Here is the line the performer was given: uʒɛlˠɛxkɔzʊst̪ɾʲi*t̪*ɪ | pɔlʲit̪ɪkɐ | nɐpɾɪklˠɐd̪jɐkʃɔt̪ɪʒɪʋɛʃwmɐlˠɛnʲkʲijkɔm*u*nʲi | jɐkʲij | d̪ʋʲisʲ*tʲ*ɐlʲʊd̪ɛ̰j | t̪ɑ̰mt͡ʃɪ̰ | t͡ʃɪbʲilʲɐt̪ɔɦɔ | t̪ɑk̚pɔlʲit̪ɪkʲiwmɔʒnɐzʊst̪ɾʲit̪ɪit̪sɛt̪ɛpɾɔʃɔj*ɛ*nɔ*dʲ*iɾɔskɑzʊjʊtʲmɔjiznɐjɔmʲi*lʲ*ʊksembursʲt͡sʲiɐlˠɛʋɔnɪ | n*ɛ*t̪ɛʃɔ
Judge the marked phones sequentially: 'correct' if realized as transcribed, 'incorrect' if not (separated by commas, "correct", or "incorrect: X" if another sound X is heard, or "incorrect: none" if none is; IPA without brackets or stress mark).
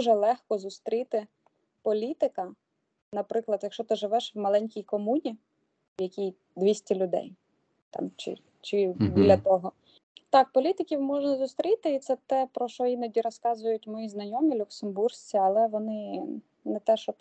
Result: correct, correct, correct, incorrect: i, correct, correct, correct